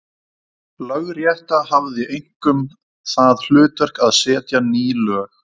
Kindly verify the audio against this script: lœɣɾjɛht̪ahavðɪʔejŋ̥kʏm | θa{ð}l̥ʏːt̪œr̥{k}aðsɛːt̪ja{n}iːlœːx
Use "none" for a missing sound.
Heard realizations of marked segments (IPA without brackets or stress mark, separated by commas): ð, k, n